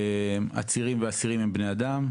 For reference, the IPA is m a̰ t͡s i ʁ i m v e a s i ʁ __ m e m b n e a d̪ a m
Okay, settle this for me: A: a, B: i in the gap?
B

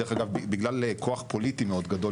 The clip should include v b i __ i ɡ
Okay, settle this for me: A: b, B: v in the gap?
A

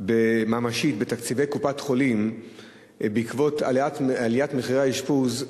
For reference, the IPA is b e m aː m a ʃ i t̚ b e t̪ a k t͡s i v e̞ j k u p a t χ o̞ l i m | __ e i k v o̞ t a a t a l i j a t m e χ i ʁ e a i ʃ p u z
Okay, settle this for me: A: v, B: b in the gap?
B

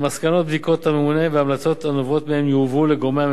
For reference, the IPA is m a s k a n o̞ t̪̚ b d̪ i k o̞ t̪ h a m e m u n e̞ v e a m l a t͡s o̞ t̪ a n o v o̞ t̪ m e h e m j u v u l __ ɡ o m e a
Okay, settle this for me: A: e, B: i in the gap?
A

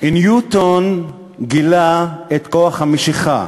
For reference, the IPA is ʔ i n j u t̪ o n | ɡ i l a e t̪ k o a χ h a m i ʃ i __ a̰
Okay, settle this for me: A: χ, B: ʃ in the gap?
A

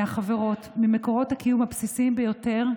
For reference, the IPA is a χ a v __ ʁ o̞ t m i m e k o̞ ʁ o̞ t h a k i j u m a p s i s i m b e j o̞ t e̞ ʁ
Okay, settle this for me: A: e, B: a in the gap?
A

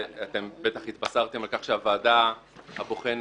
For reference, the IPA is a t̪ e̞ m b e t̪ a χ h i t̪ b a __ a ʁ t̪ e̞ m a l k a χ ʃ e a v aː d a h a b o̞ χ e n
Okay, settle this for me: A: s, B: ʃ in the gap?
A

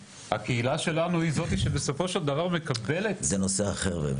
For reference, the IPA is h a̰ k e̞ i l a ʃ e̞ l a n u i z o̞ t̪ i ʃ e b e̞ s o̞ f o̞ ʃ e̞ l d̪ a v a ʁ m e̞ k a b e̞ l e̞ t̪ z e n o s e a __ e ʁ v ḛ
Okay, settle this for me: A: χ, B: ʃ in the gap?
A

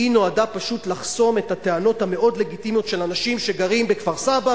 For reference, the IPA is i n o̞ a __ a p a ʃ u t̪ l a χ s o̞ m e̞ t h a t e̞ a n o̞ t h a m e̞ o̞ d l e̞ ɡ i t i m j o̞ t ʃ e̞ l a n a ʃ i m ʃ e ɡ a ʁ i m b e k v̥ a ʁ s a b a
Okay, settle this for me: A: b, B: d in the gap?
B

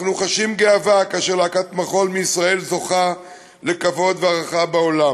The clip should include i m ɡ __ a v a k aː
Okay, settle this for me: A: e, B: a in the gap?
A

